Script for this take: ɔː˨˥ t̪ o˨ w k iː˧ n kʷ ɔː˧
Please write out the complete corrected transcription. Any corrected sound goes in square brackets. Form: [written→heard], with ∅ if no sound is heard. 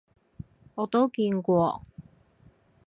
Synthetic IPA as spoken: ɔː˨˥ t̪ [o˨→o˥] w k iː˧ n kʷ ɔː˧